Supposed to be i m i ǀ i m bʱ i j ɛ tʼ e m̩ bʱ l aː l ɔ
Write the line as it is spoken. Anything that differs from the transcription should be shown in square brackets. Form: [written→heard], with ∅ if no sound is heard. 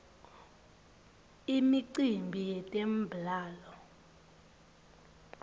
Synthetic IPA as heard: i m i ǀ i m bʱ i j ɛ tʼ e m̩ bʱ l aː l ɔ